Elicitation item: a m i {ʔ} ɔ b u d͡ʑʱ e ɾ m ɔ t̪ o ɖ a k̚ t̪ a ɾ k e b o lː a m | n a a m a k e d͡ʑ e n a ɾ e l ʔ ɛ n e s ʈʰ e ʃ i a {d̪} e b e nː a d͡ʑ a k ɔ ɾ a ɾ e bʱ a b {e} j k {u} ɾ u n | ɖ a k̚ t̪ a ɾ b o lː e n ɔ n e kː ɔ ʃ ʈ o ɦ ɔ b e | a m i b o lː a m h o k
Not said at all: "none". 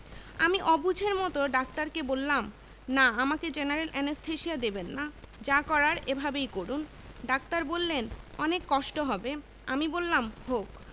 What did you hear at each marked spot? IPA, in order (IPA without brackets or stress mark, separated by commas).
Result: ʔ, d̪, e, o